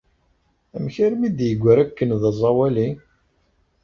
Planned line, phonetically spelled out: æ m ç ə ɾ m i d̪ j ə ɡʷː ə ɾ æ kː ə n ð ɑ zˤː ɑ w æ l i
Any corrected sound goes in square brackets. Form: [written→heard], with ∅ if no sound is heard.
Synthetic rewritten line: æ m ç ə ɾ m i d̪ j ə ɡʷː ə ɾ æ kː ə n ð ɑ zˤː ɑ w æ l i